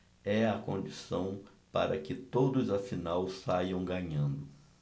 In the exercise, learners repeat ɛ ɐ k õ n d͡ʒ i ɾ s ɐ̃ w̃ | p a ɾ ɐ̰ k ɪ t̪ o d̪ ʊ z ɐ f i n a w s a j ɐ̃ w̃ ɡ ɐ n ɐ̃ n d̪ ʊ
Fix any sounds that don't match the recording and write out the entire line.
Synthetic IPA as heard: ɛ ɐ k õ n d͡ʒ i s ɐ̃ w̃ | p a ɾ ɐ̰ k ɪ t̪ o d̪ ʊ z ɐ f i n a w s a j ɐ̃ w̃ ɡ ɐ ɲ ɐ̃ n d̪ ʊ